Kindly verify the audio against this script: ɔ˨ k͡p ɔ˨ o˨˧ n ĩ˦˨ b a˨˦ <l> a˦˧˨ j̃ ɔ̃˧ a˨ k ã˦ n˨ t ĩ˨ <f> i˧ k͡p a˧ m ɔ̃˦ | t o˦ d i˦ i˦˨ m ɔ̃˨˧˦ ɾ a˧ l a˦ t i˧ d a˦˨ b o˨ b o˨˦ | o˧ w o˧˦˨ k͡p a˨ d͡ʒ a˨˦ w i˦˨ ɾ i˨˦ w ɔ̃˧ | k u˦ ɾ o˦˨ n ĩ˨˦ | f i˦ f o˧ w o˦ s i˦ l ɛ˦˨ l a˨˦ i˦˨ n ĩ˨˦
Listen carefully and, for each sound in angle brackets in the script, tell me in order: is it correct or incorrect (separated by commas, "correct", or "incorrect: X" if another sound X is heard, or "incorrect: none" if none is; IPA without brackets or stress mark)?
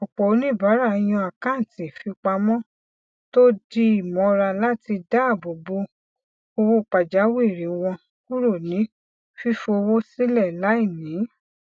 incorrect: ɾ, correct